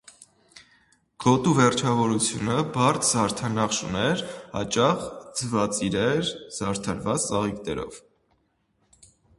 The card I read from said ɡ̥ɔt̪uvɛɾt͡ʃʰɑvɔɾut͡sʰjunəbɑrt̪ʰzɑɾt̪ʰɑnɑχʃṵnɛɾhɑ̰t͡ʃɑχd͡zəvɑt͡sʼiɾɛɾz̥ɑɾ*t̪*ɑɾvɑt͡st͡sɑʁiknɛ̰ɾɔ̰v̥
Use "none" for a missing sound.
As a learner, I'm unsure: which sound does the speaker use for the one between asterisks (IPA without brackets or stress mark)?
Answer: t̪ʰ